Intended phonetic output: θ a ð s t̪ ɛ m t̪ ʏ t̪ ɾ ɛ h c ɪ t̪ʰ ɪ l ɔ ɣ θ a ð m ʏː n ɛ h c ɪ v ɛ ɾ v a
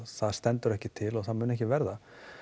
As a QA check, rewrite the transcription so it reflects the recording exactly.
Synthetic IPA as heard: θ a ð s t̪ ɛ n t̪ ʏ ɾ ɛ h c ɪ t̪ʰ ɪ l ɔ ɣ θ a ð m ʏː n ɛ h c ɪ v ɛ ɾ ð a